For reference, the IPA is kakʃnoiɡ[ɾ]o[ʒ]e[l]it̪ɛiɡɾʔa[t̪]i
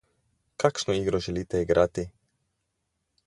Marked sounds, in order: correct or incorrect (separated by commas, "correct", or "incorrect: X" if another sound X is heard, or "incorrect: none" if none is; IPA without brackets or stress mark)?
correct, correct, correct, correct